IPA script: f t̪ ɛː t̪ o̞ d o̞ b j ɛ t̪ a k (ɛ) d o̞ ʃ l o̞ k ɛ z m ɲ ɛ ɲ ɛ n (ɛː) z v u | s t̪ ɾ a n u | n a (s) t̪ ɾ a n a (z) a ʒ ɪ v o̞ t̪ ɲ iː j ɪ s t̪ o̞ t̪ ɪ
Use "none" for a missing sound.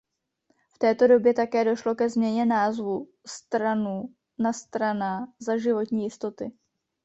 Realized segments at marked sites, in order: ɛː, aː, s, z

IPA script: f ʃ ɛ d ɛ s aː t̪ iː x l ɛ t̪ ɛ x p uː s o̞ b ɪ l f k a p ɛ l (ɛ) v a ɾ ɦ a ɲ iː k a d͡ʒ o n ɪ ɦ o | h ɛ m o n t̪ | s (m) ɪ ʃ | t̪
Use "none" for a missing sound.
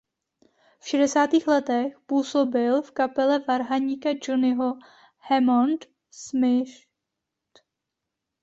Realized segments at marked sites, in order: ɛ, m

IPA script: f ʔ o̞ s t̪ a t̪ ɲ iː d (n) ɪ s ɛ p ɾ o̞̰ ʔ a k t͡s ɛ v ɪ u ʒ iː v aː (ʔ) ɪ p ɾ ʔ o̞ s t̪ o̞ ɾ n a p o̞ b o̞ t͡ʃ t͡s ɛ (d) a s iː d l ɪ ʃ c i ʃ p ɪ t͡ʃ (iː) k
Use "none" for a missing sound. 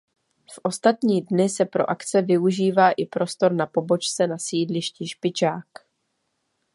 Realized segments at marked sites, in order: n, ʔ, n, aː

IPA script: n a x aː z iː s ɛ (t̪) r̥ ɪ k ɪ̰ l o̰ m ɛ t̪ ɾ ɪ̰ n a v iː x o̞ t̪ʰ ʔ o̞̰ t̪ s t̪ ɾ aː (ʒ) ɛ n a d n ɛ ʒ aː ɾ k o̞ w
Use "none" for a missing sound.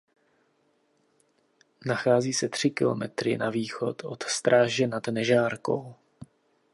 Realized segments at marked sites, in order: t̪, ʒ

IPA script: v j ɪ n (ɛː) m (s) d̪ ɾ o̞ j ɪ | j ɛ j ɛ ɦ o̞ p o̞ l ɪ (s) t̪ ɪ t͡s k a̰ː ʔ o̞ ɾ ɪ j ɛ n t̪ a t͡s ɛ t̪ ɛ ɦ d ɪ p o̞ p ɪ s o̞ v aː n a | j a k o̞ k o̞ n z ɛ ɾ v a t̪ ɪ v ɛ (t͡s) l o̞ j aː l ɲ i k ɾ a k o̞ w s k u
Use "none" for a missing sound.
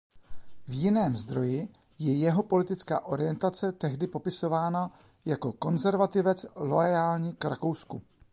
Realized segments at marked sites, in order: ɛː, z, none, t͡s

